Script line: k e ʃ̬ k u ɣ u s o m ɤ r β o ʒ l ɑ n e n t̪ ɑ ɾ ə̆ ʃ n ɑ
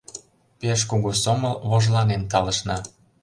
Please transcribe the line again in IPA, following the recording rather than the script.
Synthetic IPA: p e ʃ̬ k u ɣ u s o m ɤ l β o ʒ l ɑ n e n t̪ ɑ l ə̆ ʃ n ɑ